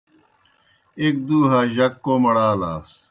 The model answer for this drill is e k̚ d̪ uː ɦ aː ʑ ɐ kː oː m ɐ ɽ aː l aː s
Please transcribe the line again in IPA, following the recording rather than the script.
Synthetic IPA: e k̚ d̪ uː ɦ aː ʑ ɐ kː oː m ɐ ɽ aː l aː s